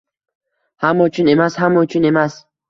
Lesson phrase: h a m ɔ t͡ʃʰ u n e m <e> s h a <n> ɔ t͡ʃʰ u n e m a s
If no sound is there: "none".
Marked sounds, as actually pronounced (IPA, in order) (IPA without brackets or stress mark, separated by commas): a, m